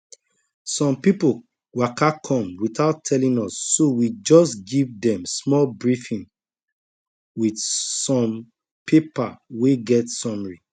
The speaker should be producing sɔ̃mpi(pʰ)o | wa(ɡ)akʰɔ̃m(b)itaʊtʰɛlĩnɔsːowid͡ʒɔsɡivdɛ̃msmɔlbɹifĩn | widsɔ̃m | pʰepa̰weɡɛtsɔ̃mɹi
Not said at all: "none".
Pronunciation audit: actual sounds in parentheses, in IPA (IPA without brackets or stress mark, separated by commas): p, k, w